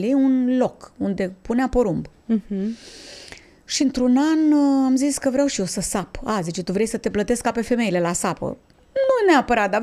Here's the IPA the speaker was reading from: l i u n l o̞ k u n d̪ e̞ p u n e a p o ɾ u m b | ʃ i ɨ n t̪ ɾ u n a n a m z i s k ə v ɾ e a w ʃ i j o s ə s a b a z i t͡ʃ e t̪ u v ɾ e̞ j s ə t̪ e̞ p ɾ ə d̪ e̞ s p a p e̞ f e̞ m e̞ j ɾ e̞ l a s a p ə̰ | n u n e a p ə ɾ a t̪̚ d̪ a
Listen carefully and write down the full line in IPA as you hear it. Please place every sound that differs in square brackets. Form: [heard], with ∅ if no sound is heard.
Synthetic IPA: l i u n l o̞ k u n d̪ e̞ p u n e a p o ɾ u m b | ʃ i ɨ n t̪ ɾ u n a n a m z i s k ə v ɾ e a w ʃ i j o s ə s a [p] a z i t͡ʃ e t̪ u v ɾ e̞ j s ə t̪ e̞ p [l] ə [t̪] e̞ s [k] a p e̞ f e̞ m e̞ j [l] e̞ l a s a p ə̰ | n u n e a p ə ɾ a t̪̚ d̪ a